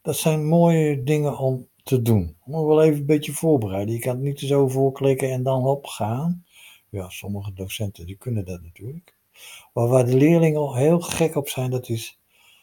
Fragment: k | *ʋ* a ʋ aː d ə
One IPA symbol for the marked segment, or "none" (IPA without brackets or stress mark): ʋ